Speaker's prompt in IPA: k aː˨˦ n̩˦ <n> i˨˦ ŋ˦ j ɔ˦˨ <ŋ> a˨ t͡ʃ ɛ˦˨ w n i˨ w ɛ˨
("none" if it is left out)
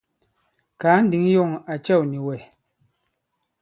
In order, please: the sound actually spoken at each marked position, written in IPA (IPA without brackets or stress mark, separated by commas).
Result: d, ŋ